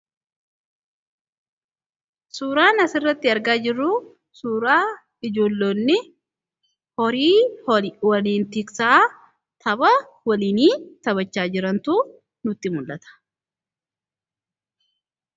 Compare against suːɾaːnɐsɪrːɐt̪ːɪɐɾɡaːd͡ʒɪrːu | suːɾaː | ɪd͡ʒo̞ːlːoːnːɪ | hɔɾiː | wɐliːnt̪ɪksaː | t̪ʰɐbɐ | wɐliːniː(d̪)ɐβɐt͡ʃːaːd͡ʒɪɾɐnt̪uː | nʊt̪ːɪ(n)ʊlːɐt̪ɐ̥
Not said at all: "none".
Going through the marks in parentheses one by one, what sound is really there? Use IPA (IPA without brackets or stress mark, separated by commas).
t̪, m